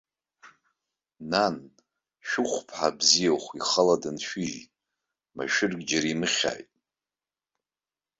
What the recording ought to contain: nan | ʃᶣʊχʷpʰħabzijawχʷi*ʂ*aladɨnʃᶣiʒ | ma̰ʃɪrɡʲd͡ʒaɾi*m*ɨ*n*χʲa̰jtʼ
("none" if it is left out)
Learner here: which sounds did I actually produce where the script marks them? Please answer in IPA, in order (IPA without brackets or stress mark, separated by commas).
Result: χ, m, none